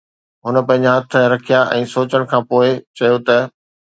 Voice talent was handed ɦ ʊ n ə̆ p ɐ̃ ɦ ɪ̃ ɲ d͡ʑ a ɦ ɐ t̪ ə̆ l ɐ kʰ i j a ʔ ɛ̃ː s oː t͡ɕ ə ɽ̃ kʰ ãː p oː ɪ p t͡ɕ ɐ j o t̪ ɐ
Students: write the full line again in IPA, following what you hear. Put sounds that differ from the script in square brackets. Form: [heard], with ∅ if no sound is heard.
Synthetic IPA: ɦ ʊ n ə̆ p ɐ̃ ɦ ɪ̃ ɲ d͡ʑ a ɦ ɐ [t̪ʰ] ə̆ [ɾ] ɐ kʰ i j a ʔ ɛ̃ː s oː t͡ɕ ə ɽ̃ kʰ ãː p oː ɪ [∅] t͡ɕ ɐ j o t̪ ɐ

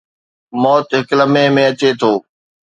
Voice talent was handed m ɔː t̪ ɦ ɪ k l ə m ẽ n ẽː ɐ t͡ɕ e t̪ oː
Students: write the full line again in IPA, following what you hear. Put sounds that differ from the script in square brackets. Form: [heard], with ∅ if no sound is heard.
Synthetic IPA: m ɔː t̪ ɦ ɪ k l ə m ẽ [m] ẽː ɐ t͡ɕ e [t̪ʰ] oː

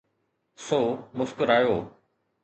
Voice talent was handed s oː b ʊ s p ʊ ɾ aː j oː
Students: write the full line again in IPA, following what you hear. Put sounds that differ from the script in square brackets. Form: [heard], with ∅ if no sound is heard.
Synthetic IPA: s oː [m] ʊ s [k] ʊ ɾ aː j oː

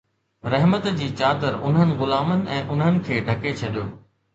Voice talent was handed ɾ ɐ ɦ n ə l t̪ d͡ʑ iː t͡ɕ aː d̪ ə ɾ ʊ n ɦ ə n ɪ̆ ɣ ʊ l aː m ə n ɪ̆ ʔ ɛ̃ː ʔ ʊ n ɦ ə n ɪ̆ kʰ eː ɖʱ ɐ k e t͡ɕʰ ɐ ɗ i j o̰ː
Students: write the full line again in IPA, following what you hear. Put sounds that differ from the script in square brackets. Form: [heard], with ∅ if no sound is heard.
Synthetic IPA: ɾ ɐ ɦ [m] ə [∅] t̪ d͡ʑ iː t͡ɕ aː d̪ ə ɾ ʊ n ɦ ə n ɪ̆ ɣ ʊ l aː m ə n ɪ̆ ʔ ɛ̃ː ʔ ʊ n ɦ ə n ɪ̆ kʰ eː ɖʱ ɐ k e t͡ɕʰ ɐ ɗ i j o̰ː

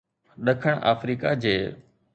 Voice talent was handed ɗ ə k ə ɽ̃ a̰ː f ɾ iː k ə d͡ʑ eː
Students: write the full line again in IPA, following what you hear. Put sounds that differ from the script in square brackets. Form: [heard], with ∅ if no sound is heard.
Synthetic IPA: ɗ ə [kʰ] ə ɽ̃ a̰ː f ɾ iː k [a] d͡ʑ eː

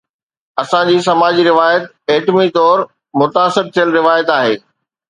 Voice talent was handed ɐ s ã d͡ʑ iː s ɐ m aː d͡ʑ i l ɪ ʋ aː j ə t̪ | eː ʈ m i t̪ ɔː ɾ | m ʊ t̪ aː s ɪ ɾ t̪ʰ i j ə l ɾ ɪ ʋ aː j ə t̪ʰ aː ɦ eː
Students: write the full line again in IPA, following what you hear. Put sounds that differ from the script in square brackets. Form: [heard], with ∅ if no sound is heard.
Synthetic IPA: ɐ s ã d͡ʑ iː s ɐ m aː d͡ʑ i [ɾ] ɪ ʋ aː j ə t̪ | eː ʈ m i t̪ ɔː ɾ | m ʊ t̪ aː s ɪ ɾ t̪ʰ i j ə l ɾ ɪ ʋ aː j ə [t̪] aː ɦ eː

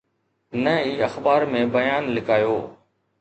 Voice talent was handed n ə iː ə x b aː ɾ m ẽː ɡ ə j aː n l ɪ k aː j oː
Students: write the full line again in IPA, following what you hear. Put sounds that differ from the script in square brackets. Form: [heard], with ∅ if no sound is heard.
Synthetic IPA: n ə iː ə x b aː ɾ m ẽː [b] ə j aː n l ɪ k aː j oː

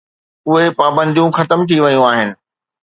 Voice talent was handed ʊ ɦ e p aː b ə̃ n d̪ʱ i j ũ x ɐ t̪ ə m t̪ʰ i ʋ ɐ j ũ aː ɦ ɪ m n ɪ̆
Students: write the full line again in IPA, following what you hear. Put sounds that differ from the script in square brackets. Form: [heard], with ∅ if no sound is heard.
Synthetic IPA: ʊ ɦ e p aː b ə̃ n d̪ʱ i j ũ x ɐ t̪ ə m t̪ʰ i ʋ ɐ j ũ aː ɦ ɪ [∅] n ɪ̆

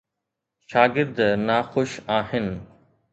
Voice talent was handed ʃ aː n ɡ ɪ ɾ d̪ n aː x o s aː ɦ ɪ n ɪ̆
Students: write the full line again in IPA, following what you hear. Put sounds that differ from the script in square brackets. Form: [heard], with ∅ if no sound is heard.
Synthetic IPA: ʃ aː [∅] ɡ ɪ ɾ d̪ n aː x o [ʃ] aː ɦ ɪ n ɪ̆

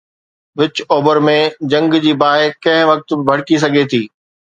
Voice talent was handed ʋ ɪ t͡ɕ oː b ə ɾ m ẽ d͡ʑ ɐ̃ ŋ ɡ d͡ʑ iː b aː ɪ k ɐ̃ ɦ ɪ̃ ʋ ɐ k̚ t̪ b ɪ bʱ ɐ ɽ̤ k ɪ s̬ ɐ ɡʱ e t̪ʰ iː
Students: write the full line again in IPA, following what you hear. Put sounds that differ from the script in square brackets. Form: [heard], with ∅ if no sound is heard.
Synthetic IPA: ʋ ɪ t͡ɕ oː b ə ɾ m ẽ d͡ʑ ɐ̃ ŋ ɡ d͡ʑ iː b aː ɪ k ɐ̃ ɦ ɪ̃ ʋ ɐ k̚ t̪ b ɪ bʱ ɐ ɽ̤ k [i] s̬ ɐ ɡʱ e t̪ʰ iː

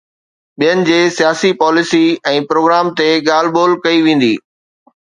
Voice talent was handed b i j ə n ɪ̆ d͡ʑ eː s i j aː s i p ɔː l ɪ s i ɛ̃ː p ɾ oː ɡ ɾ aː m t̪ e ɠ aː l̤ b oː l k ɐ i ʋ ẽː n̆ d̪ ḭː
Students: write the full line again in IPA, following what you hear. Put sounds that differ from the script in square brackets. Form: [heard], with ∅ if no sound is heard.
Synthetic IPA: [ɓ] i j ə n ɪ̆ d͡ʑ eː s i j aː s i p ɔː l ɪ s i ɛ̃ː p ɾ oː ɡ ɾ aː m t̪ e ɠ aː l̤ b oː l k ɐ i ʋ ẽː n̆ d̪ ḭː

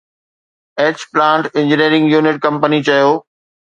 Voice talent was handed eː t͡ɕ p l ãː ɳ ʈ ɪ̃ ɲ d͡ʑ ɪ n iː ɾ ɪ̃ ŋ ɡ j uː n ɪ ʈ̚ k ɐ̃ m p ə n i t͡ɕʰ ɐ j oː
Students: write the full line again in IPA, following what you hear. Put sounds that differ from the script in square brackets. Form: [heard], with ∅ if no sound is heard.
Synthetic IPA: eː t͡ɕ p l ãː ɳ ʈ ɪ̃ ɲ d͡ʑ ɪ n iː ɾ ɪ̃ ŋ ɡ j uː n ɪ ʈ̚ k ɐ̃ m p ə n i [t͡ɕ] ɐ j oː

